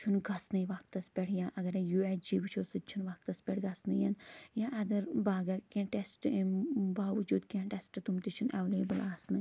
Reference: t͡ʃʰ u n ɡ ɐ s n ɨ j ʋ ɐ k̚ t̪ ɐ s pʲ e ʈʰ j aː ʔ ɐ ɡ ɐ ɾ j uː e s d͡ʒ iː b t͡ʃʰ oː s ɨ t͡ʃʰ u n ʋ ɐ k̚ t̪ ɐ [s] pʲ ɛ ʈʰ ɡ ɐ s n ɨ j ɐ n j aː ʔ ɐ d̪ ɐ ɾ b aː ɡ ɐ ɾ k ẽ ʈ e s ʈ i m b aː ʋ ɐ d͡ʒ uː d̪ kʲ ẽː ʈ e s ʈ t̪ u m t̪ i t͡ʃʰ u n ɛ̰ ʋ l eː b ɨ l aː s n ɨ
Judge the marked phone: correct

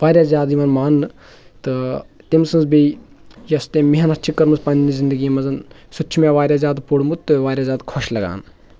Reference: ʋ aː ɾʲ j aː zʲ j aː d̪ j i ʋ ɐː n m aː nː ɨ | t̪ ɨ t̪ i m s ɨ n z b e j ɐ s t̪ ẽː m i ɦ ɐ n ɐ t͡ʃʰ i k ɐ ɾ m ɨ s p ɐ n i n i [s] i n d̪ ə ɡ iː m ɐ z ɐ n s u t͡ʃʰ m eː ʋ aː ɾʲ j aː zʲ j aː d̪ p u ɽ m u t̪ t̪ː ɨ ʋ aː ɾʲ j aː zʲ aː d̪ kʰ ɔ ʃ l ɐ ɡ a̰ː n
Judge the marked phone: incorrect: z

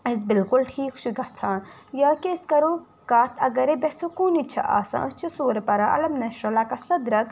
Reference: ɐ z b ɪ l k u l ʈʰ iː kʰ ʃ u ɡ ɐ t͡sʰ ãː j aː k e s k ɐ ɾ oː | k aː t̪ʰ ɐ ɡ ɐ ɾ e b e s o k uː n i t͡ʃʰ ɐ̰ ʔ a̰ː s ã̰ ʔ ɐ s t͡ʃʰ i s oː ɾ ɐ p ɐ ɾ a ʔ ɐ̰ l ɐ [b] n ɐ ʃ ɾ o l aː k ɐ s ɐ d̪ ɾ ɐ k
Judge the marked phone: incorrect: m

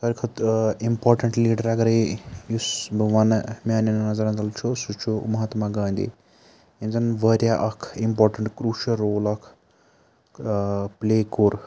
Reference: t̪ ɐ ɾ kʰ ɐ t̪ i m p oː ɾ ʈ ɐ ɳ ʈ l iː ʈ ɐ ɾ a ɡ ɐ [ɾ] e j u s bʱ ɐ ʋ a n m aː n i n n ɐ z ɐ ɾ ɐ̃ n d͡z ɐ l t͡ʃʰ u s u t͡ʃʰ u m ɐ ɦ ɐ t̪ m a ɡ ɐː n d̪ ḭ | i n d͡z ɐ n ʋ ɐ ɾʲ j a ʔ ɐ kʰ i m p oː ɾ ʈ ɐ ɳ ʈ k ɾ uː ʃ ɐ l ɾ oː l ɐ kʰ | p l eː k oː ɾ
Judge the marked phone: correct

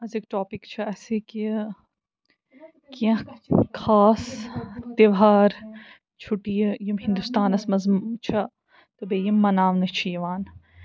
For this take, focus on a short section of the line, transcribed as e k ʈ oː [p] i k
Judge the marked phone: correct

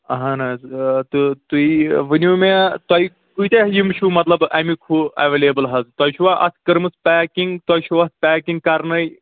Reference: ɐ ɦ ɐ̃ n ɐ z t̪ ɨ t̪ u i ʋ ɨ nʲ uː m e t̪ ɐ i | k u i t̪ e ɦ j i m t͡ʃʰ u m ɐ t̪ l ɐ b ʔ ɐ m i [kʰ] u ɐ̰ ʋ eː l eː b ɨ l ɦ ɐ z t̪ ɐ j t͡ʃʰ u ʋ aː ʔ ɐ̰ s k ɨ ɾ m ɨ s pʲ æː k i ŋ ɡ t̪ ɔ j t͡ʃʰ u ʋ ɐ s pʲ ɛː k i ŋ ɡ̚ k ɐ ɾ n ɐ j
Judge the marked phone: correct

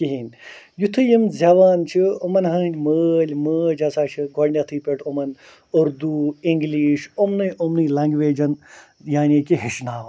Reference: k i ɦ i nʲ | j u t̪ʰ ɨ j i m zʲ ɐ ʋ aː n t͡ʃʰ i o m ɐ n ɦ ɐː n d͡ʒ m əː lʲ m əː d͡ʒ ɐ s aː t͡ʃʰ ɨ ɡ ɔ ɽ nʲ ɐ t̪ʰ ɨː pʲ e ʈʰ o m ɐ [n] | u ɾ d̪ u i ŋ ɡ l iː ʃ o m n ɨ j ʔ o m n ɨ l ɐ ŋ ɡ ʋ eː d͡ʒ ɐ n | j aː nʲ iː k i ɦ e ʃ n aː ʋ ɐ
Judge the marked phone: correct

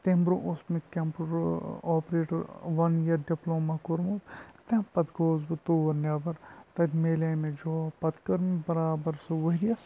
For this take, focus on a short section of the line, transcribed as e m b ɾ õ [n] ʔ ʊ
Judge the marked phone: incorrect: none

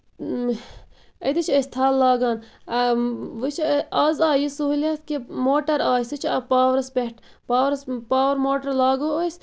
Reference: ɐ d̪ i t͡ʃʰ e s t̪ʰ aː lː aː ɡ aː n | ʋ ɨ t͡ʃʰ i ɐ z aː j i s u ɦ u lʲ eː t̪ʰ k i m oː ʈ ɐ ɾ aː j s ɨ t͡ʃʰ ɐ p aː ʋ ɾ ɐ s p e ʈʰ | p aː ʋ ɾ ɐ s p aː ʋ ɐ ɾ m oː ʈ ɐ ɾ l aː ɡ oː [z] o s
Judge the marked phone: incorrect: none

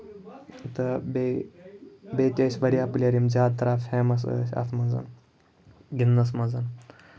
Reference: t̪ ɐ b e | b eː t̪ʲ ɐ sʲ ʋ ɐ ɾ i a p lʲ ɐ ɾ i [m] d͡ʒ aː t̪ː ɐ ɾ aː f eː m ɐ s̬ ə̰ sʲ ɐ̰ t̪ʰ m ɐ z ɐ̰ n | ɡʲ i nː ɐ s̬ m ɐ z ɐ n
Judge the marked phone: correct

